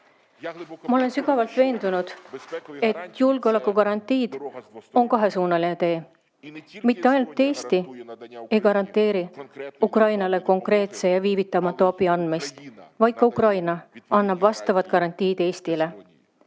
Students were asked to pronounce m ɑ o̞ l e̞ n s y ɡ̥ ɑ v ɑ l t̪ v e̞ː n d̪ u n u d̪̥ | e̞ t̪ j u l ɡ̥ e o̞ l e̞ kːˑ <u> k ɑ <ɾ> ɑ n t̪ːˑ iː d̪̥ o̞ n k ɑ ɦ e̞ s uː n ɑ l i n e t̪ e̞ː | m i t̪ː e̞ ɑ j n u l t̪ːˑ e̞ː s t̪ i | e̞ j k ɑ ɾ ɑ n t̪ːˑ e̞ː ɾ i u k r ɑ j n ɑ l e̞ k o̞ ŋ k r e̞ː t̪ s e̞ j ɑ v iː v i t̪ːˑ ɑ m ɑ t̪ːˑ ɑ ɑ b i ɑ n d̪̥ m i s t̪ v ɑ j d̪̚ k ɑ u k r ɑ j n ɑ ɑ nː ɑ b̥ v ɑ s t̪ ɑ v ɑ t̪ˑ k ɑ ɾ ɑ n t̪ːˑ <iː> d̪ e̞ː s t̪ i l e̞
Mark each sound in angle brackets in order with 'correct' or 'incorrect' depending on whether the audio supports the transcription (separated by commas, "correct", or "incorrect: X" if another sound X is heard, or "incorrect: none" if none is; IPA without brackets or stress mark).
correct, correct, correct